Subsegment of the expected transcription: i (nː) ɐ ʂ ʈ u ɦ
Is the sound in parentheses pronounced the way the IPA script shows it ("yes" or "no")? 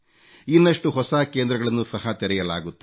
yes